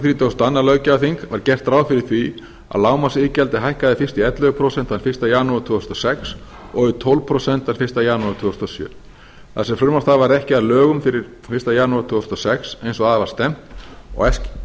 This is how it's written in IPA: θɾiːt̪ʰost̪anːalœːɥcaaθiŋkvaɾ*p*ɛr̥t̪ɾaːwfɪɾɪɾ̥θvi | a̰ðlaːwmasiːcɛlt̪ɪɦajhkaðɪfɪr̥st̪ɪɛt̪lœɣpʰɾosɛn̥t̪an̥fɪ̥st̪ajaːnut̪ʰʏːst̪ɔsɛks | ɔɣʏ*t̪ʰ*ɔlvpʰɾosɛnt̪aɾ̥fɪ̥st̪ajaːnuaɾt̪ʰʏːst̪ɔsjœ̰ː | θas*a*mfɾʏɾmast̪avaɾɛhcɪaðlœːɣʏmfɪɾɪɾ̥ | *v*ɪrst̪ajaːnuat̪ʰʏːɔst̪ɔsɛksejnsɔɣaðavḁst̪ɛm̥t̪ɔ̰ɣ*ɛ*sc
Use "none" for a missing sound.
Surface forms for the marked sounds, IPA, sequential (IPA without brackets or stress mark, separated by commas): c, t̪ʰ, ɛ, f, ɛ